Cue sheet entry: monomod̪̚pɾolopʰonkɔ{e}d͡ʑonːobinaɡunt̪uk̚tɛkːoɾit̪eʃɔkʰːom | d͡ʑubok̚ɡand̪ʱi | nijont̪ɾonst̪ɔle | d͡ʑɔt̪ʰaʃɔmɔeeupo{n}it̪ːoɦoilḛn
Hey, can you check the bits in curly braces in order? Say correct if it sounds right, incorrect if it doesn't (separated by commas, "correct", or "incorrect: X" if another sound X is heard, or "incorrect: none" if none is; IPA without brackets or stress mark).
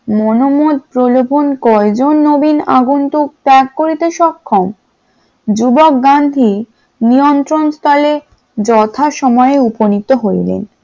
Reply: correct, correct